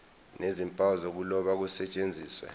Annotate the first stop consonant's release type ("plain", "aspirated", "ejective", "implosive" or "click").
ejective